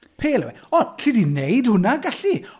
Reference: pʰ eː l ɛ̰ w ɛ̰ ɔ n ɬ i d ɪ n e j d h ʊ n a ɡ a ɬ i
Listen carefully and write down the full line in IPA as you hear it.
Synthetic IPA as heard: pʰ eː l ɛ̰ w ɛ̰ ɔ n ɬ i d i n e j d h ʊ n a ɡ a ɬ i